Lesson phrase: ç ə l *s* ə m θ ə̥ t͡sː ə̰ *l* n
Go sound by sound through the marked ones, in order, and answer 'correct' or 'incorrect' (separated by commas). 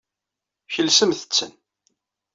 correct, incorrect